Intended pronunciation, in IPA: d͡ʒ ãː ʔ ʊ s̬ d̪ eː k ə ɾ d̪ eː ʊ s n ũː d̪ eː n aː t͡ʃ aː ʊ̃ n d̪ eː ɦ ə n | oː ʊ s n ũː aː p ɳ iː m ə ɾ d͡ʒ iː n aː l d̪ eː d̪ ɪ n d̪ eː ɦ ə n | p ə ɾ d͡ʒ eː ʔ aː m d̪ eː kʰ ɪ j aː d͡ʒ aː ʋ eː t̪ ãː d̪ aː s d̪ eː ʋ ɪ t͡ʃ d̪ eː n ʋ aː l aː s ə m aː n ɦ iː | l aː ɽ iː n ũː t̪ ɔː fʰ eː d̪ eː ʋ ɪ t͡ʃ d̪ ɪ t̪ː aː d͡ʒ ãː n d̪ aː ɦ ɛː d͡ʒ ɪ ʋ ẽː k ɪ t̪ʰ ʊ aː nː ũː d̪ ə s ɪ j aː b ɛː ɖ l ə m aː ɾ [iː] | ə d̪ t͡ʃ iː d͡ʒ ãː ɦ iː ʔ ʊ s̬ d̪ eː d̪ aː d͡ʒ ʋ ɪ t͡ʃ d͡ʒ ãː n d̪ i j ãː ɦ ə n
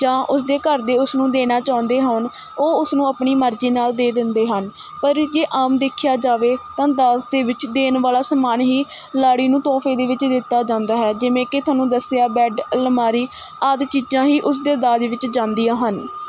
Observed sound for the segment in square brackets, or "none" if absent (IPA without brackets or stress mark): iː